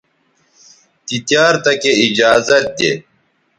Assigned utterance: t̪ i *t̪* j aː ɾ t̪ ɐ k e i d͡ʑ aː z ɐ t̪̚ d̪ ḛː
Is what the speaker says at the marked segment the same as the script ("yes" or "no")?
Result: yes